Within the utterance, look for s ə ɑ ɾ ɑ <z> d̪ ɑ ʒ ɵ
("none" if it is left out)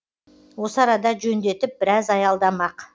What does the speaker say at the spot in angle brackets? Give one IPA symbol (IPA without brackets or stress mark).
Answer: none